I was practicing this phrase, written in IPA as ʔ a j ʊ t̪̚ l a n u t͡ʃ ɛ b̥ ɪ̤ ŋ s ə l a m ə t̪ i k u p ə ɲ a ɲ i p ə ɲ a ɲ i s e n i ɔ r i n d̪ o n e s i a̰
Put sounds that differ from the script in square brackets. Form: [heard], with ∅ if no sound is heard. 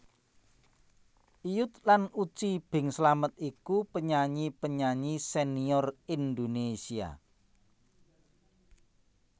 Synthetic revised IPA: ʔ [i] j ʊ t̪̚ l a n u t͡ʃ [i] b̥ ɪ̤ ŋ s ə l a m ə t̪ i k u p ə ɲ a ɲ i p ə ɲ a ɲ i s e n i ɔ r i n d̪ o n e s i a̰